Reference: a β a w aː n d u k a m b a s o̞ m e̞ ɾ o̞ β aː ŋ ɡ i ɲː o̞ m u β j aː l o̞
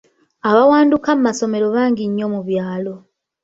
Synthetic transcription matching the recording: a β a w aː n d u k a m m a s o̞ m e̞ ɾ o̞ β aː ŋ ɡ i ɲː o̞ m u β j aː l o̞

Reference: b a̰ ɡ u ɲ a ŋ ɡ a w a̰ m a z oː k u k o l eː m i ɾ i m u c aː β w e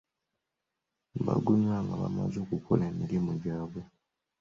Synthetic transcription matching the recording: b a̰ ɡ u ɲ a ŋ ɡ a β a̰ m a z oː k u k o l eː m i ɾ i m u ɟ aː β w e

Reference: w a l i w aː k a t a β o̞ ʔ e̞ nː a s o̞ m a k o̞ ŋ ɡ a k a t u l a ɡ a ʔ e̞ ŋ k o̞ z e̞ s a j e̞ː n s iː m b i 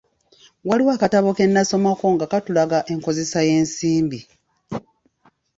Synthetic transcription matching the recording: w a l i w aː k a t a β o̞ k e̞ nː a s o̞ m a k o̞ ŋ ɡ a k a t u l a ɡ a ʔ e̞ ŋ k o̞ z e̞ s a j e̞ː n s iː m b i

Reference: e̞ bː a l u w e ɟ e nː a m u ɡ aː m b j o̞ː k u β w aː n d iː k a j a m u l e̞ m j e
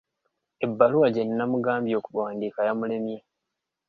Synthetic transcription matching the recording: e̞ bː a l u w a ɟ e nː a m u ɡ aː m b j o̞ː k u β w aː n d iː k a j a m u l e̞ m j e

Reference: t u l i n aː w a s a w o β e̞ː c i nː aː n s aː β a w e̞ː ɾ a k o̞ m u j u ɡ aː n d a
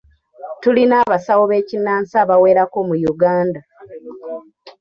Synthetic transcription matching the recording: t u l i n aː β a s a w o β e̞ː c i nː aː n s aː β a w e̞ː ɾ a k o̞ m u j u ɡ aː n d a

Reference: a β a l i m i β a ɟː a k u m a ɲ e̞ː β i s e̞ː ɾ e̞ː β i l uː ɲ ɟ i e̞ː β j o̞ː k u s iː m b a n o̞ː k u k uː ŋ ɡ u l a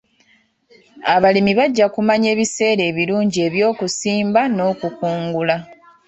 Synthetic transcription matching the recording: a β a l i m i β a ɟː a k u m a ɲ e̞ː β i s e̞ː ɾ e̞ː β i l uː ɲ ɟ i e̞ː β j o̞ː k u s iː m b a n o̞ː k u k uː ŋ ɡ u l a

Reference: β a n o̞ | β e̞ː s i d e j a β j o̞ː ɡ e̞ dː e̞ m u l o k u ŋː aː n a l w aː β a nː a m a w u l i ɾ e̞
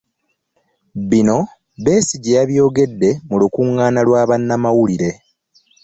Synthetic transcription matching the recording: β i n o̞ | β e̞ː s i ɟ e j a β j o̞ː ɡ e̞ dː e̞ m u l u k u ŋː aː n a l w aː β a nː a m a w u l i ɾ e̞

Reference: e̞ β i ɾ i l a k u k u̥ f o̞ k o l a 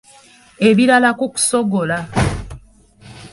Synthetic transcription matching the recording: e̞ β i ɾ a l a k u k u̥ s o̞ ɡ o l a

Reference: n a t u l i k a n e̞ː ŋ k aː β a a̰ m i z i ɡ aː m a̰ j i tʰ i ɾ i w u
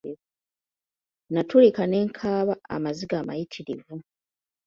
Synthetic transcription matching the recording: n a t u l i k a n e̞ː ŋ kʰ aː β a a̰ m a z i ɡ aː m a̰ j i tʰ i ɾ i v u

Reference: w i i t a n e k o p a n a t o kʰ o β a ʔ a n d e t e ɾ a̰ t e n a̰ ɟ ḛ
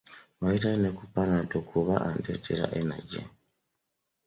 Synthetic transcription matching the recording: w a i t a n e k u p a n a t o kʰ u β a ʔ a n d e t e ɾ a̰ ʔ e n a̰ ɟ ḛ

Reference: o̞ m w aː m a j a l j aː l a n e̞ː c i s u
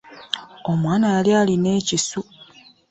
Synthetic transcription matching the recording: o̞ m w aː n a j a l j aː l i n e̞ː c i s u

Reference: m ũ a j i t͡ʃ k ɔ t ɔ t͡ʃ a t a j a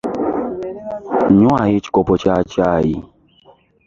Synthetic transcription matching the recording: ɲ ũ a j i t͡ʃ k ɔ p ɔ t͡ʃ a t͡ʃ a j i

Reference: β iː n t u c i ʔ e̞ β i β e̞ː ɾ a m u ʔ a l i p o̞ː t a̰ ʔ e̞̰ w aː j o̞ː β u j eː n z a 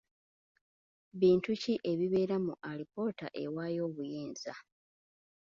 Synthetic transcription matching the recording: β iː n t u c i ʔ e̞ β i β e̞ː ɾ a m u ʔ a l i p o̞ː t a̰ ʔ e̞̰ w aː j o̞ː β u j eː n z a

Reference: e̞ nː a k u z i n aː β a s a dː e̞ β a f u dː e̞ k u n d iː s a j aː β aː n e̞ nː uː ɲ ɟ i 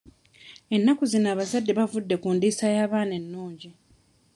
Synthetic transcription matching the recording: e̞ nː a k u z i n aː β a z a dː e̞ β a v u dː e̞ k u n d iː s a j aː β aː n e̞ nː uː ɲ ɟ i

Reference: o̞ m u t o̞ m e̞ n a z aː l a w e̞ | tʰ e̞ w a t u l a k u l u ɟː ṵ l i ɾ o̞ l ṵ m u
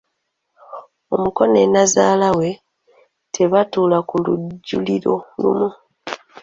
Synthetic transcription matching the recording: o̞ m u k o̞ n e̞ n a z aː l a w e̞ | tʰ e̞ β a t u l a k u l u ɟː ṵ l i ɾ o̞ l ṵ m u

